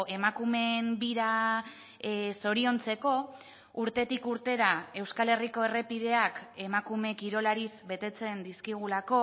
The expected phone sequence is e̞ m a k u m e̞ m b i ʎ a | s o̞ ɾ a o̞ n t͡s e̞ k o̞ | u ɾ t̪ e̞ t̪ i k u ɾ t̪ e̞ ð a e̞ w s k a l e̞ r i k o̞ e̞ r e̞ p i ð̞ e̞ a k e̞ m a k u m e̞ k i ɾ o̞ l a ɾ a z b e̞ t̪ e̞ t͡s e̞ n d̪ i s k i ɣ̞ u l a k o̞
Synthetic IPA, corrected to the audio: e̞ m a k u m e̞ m b i ɾ a | s o̞ ɾ i o̞ n t͡s e̞ k o̞ | u ɾ t̪ e̞ t̪ i k u ɾ t̪ e̞ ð a e̞ w s k a l e̞ r i k o̞ e̞ r e̞ p i ð̞ e̞ a k e̞ m a k u m e̞ k i ɾ o̞ l a ɾ i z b e̞ t̪ e̞ t͡s e̞ n d̪ i s k i ɣ̞ u l a k o̞